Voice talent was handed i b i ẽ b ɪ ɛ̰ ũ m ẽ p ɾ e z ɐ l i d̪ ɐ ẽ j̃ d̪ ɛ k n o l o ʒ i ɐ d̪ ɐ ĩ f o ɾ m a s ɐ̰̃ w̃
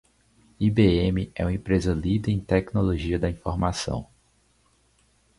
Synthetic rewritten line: i b e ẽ m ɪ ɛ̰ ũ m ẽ p ɾ e z ɐ l i d̪ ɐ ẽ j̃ t̪ ɛ k n o l o ʒ i ɐ d̪ ɐ ĩ f o ɾ m a s ɐ̰̃ w̃